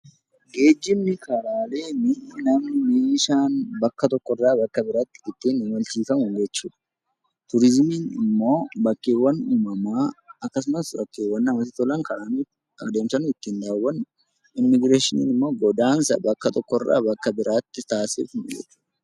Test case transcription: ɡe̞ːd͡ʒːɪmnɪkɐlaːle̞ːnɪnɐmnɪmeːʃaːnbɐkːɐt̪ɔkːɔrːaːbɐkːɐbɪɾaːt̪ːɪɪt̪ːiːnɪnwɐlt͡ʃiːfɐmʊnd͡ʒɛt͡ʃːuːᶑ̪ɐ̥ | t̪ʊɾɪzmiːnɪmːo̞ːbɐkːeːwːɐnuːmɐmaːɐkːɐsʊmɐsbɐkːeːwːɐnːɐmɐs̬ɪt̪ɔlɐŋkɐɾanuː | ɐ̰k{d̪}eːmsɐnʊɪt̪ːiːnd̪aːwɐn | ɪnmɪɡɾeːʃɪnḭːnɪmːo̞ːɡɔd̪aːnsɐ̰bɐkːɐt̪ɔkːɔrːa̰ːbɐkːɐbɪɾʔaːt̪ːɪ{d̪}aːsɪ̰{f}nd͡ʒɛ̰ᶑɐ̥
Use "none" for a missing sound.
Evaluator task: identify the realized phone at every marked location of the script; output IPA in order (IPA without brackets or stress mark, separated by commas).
d̪, t̪, f